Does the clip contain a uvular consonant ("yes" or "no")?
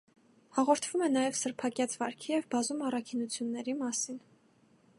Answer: yes